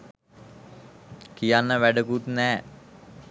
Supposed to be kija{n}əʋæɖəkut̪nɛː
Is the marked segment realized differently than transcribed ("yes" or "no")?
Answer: yes